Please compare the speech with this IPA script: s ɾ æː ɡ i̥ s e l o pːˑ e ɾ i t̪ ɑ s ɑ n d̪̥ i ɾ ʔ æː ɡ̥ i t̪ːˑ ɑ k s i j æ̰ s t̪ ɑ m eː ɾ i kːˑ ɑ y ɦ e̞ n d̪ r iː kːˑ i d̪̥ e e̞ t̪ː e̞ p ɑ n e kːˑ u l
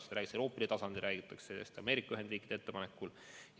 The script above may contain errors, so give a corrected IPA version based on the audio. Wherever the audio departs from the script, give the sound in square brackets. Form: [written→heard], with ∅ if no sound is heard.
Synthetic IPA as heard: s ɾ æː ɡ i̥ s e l o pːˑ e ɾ i t̪ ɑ s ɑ n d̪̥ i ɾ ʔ æː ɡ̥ i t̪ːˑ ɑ k s [i→e] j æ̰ s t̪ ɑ m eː ɾ i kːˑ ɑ y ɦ e̞ n d̪ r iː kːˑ i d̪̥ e e̞ t̪ː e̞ p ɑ n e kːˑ u l